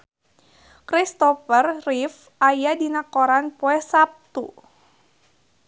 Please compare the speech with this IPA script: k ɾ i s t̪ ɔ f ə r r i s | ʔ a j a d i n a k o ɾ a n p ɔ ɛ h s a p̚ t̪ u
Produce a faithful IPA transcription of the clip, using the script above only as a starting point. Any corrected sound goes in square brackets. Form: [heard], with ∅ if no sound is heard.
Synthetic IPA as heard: k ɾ i s t̪ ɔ f ə r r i [f] | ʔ a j a d i n a k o ɾ a n p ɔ ɛ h s a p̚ t̪ u